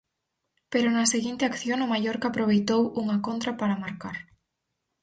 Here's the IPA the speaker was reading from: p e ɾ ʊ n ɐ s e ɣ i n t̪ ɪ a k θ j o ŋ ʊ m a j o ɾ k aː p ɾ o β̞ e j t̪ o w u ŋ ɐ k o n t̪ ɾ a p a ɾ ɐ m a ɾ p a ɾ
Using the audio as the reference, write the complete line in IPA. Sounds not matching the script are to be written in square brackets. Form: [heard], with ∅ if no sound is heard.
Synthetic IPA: p e ɾ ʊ n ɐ s e ɣ i n t̪ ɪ a k θ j o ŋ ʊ m a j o ɾ k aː p ɾ o β̞ e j t̪ o w u ŋ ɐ k o n t̪ ɾ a p a ɾ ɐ m a ɾ [k] a ɾ